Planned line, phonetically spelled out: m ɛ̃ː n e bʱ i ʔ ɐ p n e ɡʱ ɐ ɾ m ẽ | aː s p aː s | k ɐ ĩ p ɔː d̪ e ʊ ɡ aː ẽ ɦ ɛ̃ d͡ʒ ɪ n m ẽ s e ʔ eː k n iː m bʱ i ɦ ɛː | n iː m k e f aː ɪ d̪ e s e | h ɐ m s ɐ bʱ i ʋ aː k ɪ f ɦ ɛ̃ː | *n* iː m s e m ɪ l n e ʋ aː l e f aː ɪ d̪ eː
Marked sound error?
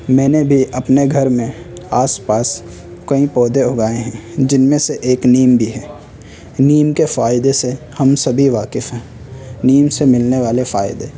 no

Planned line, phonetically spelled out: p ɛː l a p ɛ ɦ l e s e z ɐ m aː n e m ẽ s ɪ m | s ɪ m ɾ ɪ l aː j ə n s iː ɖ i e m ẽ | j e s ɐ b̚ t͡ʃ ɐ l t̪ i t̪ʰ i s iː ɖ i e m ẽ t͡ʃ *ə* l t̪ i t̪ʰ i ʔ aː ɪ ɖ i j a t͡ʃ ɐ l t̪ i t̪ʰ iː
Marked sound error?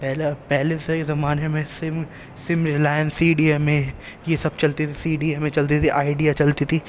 yes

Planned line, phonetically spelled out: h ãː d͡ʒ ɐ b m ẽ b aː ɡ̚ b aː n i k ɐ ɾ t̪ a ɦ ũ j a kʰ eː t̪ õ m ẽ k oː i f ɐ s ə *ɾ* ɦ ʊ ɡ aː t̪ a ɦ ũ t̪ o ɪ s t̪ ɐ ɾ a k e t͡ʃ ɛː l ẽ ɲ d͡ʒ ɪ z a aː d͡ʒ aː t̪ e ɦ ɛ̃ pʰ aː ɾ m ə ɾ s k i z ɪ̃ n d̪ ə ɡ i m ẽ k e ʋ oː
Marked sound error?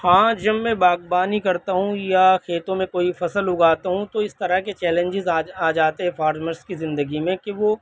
yes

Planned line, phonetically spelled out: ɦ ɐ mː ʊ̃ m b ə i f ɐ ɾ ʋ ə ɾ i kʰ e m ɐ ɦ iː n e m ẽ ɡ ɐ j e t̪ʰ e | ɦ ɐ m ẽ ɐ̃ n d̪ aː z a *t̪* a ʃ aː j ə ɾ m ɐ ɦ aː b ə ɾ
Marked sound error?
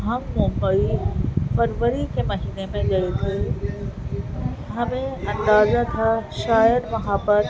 yes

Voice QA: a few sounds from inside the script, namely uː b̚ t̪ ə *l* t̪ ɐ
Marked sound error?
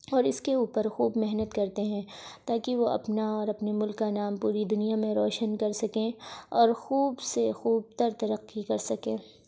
yes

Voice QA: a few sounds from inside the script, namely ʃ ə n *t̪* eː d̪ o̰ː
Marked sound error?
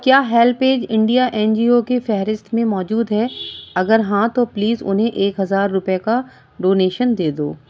yes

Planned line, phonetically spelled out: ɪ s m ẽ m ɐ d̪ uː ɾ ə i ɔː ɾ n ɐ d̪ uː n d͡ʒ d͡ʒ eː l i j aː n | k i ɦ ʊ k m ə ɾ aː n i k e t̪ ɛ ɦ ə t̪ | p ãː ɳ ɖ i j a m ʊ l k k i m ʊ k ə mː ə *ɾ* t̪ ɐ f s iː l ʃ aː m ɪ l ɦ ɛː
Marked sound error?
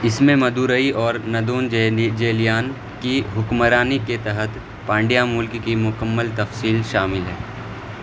yes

